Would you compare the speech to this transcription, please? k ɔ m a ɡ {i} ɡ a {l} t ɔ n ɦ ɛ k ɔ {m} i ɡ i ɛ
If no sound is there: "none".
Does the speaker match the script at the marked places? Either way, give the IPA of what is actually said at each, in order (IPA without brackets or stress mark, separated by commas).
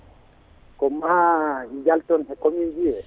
i, l, m